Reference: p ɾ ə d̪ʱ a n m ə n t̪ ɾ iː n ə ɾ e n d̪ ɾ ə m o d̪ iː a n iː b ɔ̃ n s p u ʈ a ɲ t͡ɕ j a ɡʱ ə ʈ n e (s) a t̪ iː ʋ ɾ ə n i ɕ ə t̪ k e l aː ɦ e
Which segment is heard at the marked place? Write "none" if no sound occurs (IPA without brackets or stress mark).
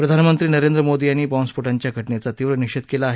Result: t͡s